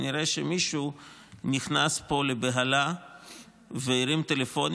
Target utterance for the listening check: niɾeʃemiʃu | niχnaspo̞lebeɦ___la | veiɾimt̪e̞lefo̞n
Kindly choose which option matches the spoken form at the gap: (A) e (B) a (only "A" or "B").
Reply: B